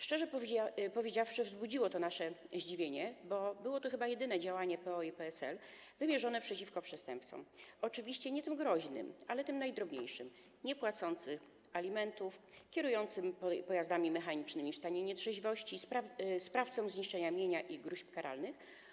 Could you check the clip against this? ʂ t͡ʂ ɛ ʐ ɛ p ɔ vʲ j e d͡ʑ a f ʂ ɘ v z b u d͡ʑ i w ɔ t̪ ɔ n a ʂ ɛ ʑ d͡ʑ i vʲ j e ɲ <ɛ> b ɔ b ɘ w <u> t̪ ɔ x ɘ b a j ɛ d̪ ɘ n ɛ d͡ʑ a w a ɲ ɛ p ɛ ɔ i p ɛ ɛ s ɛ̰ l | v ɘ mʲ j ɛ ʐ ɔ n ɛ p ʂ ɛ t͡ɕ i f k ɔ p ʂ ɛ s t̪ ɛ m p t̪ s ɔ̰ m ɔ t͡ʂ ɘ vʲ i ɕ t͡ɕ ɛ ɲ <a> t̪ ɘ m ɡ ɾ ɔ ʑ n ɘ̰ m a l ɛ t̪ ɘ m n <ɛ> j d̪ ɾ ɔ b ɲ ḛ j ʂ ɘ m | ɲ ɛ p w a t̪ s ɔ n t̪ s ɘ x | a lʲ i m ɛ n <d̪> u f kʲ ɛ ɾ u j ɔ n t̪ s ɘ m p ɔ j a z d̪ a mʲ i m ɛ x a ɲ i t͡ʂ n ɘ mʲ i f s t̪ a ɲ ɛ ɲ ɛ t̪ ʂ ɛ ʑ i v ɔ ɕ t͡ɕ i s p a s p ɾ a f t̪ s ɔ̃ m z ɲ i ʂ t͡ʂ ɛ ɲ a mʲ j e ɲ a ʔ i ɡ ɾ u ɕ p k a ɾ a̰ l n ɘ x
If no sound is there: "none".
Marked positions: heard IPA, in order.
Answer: ɛ, ɔ, ɛ, a, t̪

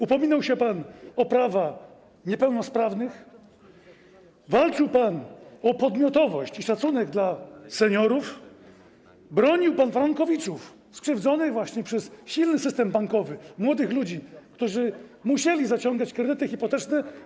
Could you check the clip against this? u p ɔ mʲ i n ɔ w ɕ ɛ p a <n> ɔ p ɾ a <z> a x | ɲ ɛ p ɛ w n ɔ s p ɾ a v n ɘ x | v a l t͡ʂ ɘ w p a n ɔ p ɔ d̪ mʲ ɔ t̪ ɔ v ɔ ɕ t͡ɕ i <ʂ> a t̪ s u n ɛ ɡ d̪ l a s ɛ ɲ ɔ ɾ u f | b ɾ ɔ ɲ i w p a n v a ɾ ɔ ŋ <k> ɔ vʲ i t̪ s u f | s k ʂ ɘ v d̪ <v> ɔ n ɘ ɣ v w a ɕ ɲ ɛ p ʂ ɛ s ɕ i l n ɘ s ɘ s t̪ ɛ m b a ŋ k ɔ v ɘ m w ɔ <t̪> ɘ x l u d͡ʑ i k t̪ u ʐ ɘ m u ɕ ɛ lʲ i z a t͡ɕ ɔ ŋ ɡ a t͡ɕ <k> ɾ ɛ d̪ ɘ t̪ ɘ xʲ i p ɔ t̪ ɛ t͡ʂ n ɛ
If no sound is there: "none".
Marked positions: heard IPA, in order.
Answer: n, v, ʂ, k, z, d̪, k

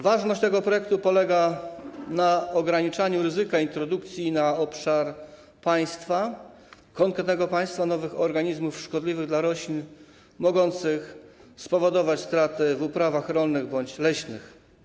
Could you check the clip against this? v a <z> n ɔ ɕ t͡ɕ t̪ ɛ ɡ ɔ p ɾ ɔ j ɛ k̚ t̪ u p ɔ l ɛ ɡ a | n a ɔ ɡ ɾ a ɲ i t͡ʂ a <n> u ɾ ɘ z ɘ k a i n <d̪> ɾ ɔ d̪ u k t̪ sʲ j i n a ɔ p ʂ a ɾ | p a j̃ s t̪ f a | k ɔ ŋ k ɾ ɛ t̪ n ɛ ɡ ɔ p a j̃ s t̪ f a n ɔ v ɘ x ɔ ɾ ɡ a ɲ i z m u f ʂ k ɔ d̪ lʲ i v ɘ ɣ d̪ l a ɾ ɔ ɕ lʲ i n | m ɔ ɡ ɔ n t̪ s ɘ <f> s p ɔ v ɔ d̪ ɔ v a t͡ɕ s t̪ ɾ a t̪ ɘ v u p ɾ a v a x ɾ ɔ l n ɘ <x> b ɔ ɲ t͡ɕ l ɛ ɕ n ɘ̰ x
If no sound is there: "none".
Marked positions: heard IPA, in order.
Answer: ʐ, ɲ, t̪, x, ɣ

